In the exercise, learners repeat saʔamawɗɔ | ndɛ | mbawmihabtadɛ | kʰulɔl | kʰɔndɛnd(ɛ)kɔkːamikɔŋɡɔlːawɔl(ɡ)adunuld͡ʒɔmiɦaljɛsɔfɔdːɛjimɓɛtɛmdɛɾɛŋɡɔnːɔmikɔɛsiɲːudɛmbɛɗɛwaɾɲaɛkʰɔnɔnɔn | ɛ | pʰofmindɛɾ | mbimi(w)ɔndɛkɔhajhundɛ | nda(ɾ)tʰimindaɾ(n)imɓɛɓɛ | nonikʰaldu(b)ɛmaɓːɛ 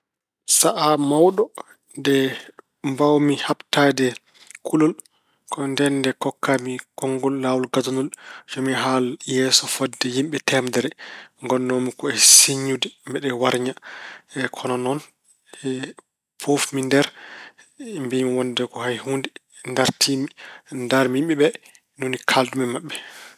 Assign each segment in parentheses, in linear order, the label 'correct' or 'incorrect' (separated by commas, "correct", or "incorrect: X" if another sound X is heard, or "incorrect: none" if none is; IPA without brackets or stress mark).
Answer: correct, correct, correct, correct, incorrect: m, incorrect: m